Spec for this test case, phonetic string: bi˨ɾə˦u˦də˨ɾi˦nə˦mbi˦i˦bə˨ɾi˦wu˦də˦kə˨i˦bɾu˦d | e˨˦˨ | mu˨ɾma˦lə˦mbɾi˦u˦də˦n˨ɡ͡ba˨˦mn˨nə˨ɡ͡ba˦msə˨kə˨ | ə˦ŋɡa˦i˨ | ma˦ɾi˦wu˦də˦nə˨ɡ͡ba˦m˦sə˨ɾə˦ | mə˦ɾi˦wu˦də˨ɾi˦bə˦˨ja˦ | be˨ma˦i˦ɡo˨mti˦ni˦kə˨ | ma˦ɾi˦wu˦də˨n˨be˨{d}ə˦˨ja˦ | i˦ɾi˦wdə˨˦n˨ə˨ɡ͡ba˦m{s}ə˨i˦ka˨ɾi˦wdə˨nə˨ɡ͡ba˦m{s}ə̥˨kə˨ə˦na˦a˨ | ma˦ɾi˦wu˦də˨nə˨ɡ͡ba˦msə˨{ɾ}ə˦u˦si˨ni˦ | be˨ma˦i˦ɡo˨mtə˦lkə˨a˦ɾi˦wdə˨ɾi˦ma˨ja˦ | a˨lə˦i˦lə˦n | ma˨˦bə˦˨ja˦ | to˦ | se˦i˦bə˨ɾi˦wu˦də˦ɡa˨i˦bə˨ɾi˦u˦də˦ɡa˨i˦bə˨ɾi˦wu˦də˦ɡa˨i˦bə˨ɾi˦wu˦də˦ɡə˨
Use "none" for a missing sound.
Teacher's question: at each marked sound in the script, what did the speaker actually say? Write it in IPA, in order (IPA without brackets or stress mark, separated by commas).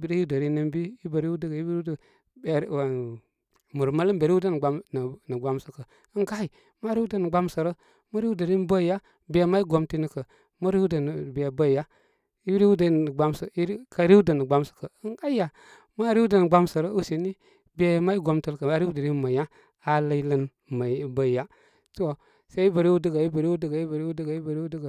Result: b, s, s, ɾ